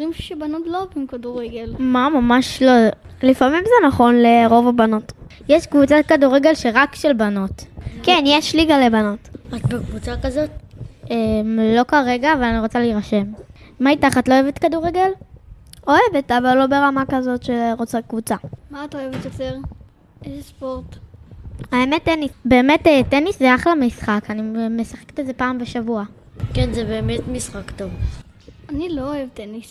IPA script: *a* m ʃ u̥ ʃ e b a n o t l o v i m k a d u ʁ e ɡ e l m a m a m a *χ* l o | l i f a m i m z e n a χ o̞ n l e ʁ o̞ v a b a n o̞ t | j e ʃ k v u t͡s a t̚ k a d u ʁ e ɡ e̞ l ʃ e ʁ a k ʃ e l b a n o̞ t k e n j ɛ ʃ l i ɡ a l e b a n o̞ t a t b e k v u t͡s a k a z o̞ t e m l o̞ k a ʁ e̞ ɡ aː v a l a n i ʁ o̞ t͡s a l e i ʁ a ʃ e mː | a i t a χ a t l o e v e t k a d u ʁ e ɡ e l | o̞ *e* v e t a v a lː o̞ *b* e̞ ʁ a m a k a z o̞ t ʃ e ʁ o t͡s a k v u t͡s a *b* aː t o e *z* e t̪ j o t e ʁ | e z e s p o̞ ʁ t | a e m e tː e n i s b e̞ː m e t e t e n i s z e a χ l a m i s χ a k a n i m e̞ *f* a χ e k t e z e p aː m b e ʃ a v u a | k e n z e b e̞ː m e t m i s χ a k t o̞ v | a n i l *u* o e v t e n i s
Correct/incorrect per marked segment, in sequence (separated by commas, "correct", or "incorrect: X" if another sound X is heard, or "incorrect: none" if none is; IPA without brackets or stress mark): incorrect: i, incorrect: ʃ, correct, correct, incorrect: m, incorrect: v, incorrect: s, incorrect: o